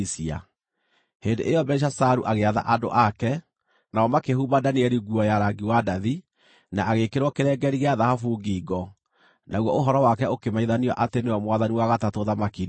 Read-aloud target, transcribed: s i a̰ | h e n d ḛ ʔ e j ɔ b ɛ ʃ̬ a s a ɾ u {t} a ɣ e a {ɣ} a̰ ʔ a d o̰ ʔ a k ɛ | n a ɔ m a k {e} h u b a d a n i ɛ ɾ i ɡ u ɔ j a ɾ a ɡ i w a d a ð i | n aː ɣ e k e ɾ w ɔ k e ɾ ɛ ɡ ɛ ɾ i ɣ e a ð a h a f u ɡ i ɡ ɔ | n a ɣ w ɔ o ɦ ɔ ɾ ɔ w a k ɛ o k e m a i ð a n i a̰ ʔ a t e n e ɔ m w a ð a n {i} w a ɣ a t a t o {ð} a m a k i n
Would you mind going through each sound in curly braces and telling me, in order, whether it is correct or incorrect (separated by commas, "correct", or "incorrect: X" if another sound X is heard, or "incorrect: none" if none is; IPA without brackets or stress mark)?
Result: incorrect: ʔ, incorrect: ð, correct, correct, correct